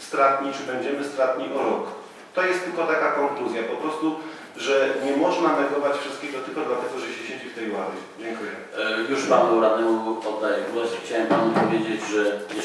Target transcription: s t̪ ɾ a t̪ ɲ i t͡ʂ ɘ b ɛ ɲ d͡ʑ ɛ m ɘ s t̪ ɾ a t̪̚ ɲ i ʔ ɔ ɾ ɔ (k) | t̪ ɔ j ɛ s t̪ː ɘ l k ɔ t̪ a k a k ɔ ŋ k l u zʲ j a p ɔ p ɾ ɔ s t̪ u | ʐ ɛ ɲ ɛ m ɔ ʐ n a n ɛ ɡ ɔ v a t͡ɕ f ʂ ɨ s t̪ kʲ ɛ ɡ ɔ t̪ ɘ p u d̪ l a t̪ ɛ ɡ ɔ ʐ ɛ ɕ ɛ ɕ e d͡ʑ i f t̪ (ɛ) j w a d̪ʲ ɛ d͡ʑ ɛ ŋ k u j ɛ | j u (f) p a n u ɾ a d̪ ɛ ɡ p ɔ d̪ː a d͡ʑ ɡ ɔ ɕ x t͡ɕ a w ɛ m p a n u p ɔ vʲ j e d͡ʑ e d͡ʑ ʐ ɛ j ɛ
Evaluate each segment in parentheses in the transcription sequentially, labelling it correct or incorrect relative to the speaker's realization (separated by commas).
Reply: correct, correct, incorrect